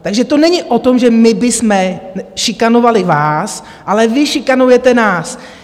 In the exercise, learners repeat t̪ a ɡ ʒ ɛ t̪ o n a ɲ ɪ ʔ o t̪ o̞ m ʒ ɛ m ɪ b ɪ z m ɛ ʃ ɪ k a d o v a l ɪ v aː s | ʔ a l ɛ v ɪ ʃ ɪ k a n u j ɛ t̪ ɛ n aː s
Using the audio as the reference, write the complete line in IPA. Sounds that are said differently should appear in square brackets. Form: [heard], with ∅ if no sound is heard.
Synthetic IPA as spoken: t̪ a ɡ ʒ ɛ t̪ o n [ɛ] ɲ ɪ ʔ o t̪ o̞ m ʒ ɛ m ɪ b ɪ [s] m ɛ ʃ ɪ k a [n] o v a l ɪ v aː s | ʔ a l ɛ v ɪ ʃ ɪ k a n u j ɛ t̪ ɛ n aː s